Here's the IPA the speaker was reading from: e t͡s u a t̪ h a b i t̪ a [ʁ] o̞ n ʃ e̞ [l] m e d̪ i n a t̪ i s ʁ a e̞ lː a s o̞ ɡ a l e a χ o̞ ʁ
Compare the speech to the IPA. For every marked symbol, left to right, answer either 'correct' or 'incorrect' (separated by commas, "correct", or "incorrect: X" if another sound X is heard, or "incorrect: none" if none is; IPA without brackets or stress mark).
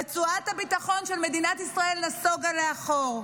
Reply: incorrect: χ, correct